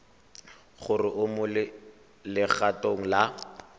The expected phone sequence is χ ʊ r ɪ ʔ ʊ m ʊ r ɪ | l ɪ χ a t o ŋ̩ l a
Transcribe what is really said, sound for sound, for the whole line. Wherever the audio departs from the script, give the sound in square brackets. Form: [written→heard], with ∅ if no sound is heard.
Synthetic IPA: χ ʊ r ɪ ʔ ʊ m ʊ [r→l] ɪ | l ɪ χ a t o ŋ̩ l a